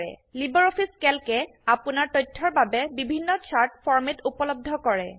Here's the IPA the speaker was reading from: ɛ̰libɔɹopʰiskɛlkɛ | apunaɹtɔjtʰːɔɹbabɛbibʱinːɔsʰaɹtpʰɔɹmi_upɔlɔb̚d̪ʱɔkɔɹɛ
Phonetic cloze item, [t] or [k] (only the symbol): t